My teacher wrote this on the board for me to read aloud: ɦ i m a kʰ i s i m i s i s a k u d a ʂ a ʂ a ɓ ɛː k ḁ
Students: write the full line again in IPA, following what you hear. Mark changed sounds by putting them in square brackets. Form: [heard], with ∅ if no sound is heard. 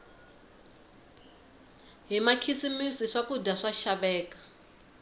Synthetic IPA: ɦ i m a kʰ i s i m i s i [ʂ] a k u d a ʂ a [ʃ] a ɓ ɛː k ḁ